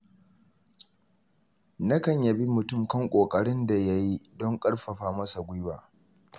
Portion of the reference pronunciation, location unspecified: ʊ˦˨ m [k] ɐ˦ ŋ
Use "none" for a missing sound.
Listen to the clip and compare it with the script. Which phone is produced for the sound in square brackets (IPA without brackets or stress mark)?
k